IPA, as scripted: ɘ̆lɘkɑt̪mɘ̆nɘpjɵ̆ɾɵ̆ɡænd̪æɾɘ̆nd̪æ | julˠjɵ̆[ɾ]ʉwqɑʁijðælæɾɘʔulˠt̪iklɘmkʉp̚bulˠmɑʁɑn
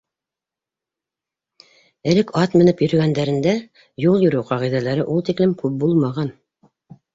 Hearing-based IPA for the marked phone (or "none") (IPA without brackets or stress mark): ɾ